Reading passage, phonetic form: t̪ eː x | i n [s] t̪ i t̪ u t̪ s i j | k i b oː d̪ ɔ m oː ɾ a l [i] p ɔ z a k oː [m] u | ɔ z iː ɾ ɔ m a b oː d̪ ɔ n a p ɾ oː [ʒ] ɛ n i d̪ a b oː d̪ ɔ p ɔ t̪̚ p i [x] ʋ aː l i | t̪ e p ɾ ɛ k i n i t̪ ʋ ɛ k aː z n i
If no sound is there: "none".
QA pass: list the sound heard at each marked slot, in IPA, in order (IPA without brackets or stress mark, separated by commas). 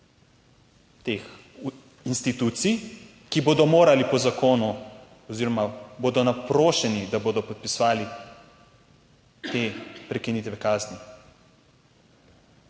s, i, n, ʃ, s